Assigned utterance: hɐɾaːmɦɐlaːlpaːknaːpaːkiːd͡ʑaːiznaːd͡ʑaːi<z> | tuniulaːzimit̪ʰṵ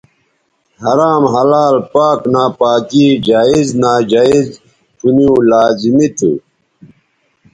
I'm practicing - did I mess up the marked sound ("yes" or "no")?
no